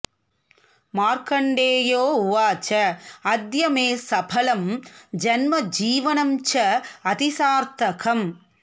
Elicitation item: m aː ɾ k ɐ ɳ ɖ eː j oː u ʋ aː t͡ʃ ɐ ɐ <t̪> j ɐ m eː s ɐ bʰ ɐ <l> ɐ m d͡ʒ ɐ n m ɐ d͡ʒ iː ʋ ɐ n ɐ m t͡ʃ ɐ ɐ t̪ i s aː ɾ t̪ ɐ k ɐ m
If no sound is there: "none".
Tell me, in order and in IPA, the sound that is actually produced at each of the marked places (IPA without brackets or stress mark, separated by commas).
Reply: d̪, l